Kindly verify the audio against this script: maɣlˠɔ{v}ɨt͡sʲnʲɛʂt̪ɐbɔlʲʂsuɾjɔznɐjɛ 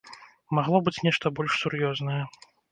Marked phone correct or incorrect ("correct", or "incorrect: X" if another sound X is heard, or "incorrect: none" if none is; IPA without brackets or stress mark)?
incorrect: b